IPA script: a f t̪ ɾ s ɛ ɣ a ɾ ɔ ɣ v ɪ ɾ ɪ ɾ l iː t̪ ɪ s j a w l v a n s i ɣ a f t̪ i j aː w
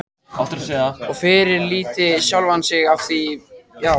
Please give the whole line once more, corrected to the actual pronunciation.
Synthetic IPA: a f t̪ ɾ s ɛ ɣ a ɔ ɣ f ɪ ɾ ɪ ɾ l iː t̪ ɪ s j a w l v a n s ɪ ɣ a f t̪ i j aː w